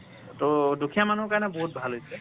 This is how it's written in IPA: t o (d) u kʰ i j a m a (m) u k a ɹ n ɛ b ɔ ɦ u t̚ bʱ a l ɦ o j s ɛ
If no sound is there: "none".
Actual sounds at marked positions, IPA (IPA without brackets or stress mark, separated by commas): d, n